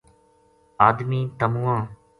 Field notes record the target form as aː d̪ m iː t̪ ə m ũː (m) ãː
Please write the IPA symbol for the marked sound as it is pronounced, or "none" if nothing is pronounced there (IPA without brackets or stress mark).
none